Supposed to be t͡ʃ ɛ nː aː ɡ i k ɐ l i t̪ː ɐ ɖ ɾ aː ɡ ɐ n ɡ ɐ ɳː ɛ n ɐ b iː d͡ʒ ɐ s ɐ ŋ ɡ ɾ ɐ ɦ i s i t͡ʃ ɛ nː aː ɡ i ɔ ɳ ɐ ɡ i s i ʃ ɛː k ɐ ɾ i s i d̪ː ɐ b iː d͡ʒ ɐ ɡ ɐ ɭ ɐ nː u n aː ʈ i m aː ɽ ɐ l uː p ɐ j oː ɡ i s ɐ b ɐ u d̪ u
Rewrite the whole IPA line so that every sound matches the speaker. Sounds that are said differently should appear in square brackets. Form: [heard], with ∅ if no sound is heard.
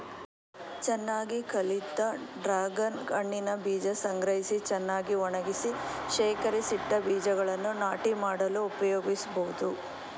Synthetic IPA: t͡ʃ ɛ nː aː ɡ i k ɐ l i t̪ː ɐ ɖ ɾ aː ɡ ɐ n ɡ ɐ ɳː [i] n ɐ b iː d͡ʒ ɐ s ɐ ŋ ɡ ɾ ɐ ɦ i s i t͡ʃ ɛ nː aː ɡ i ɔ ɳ ɐ ɡ i s i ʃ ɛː k ɐ ɾ i s i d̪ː ɐ b iː d͡ʒ ɐ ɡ ɐ ɭ ɐ nː u n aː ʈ i m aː ɽ ɐ l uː p ɐ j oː ɡ i s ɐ b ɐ u d̪ u

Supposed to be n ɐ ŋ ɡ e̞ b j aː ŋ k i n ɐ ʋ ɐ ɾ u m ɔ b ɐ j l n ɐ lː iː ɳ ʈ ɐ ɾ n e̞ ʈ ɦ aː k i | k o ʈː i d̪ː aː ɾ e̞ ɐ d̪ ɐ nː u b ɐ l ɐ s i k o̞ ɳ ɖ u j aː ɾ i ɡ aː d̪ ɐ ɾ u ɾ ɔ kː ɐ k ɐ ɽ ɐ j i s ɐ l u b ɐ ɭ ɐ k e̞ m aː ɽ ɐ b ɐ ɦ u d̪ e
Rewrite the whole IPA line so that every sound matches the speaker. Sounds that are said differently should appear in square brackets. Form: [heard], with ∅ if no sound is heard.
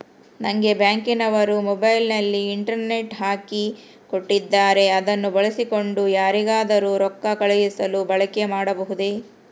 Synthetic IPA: n ɐ ŋ ɡ e̞ b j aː ŋ k i n ɐ ʋ ɐ ɾ u m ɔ b ɐ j l n ɐ lː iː ɳ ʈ ɐ ɾ n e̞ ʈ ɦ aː k i | k o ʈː i d̪ː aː ɾ e̞ ɐ d̪ ɐ nː u b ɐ [ɭ] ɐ s i k o̞ ɳ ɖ u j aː ɾ i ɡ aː d̪ ɐ ɾ u ɾ ɔ kː ɐ k ɐ [ɭ] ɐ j i s ɐ l u b ɐ ɭ ɐ k e̞ m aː ɽ ɐ b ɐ ɦ u d̪ e

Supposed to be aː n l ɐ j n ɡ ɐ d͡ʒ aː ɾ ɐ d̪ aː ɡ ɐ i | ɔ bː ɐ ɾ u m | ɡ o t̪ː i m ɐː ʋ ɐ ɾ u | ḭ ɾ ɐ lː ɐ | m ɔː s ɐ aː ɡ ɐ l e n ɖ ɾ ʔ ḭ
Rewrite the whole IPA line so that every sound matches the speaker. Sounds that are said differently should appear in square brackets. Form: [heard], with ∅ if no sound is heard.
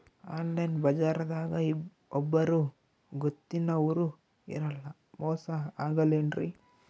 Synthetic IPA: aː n l ɐ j n [b] ɐ d͡ʒ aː ɾ ɐ d̪ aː ɡ ɐ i | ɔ bː ɐ ɾ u [∅] | ɡ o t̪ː i [n] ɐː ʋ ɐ ɾ u | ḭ ɾ ɐ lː ɐ | m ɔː s ɐ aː ɡ ɐ l e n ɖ ɾ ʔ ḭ

